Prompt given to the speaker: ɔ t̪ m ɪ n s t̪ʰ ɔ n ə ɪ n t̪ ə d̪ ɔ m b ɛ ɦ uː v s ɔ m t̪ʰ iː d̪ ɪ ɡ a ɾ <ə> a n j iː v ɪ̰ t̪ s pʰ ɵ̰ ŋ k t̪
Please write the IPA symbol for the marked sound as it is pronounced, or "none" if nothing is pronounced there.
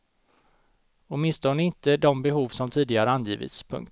ə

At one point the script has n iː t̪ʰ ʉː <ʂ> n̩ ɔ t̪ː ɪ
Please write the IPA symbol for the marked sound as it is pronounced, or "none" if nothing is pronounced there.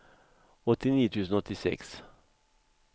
s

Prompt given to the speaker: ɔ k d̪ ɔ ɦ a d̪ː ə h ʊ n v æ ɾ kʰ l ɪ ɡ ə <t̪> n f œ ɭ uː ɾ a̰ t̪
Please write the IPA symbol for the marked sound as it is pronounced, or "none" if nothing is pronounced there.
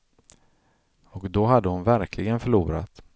none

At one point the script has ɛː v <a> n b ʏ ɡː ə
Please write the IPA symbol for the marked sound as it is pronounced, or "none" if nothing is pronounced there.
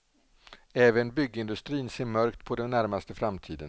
ə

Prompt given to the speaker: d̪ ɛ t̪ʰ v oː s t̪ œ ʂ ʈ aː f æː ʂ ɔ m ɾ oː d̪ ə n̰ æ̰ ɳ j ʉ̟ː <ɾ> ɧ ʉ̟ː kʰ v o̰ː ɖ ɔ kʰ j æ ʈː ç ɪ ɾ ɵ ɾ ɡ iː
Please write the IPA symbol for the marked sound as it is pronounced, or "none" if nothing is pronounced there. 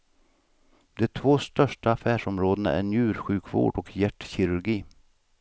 ɾ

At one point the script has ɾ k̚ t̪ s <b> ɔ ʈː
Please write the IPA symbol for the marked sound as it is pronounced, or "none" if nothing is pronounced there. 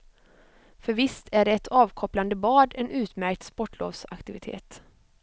p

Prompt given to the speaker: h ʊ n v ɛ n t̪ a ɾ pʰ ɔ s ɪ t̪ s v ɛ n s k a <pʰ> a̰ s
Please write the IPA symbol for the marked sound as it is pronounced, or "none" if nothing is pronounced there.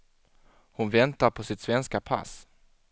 pʰ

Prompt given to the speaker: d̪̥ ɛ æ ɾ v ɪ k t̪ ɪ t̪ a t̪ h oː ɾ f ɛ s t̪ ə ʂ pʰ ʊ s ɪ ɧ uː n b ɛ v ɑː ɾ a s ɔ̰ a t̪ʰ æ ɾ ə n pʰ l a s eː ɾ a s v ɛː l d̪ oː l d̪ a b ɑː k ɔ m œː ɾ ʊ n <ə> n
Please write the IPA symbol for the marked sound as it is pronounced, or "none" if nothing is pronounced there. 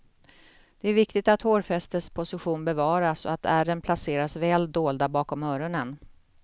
ə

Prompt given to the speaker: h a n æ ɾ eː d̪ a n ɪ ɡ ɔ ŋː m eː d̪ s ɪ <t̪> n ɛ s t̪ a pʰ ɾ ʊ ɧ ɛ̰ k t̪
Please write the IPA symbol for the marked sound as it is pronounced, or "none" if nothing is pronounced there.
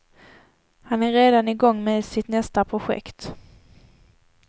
t̪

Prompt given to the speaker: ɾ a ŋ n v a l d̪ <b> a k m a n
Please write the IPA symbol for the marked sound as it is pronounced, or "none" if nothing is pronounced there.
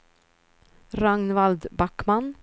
b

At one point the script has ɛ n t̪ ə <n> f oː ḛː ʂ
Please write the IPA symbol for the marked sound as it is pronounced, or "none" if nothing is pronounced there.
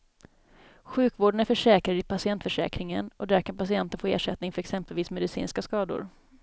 n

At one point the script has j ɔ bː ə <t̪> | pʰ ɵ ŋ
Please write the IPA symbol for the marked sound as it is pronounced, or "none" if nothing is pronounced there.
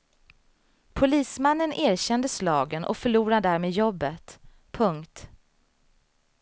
t̪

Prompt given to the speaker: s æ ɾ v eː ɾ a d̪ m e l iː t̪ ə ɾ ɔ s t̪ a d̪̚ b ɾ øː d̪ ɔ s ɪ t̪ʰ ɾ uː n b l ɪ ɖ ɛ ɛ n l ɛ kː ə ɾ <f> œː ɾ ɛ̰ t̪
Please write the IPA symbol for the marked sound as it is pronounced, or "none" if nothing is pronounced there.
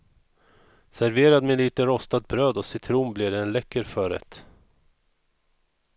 f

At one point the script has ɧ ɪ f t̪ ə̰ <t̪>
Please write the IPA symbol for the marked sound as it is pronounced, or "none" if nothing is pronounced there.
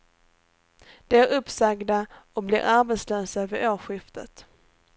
t̪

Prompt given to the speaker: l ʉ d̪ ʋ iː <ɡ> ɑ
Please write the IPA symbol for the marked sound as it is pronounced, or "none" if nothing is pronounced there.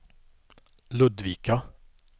k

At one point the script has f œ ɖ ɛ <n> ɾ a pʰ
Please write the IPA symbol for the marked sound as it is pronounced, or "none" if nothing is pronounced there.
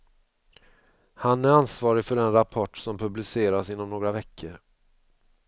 n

